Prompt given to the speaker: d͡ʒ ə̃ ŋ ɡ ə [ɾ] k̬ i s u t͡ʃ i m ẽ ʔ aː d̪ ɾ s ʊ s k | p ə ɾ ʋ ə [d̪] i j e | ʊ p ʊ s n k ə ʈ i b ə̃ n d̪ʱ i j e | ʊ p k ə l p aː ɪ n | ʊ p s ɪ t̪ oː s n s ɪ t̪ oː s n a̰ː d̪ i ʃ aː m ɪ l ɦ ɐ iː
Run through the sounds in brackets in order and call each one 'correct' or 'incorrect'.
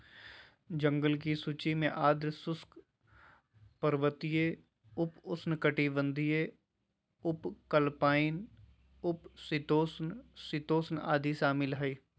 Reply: incorrect: l, incorrect: t̪

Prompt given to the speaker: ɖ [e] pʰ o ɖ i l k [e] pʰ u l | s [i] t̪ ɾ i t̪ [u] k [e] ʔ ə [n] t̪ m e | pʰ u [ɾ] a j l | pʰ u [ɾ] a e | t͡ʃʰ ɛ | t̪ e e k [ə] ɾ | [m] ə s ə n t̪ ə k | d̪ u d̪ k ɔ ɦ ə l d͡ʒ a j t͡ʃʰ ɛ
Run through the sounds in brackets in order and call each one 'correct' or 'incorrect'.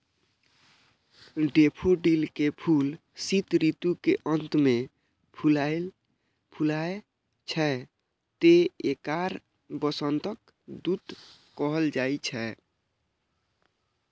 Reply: correct, correct, correct, correct, correct, correct, incorrect: l, incorrect: l, incorrect: a, incorrect: b

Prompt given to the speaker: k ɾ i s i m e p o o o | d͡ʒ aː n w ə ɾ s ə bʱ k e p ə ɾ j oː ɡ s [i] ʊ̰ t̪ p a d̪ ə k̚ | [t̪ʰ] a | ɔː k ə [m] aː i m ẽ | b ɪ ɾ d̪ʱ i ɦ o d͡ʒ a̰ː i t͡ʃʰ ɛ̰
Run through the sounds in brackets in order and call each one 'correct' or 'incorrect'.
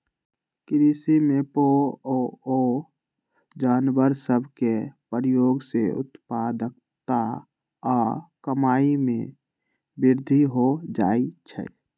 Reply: incorrect: e, incorrect: t̪, correct

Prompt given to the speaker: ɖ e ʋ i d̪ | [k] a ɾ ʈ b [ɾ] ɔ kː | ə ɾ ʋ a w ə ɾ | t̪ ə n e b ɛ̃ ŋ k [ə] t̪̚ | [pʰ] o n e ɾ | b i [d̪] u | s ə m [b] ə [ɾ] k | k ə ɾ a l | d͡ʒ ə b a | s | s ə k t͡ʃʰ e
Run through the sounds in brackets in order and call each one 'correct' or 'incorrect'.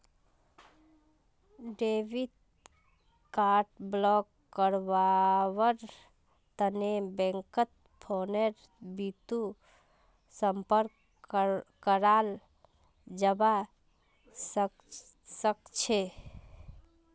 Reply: correct, incorrect: l, correct, correct, incorrect: t̪, incorrect: p, correct

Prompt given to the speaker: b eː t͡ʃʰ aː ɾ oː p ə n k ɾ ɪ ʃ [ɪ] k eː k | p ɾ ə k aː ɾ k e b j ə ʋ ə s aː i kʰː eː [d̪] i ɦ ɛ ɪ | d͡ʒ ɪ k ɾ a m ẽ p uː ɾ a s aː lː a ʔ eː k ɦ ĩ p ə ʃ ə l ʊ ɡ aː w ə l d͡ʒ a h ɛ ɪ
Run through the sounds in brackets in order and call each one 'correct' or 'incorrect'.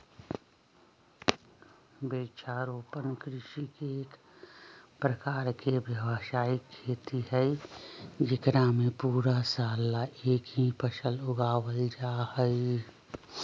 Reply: incorrect: i, incorrect: t̪

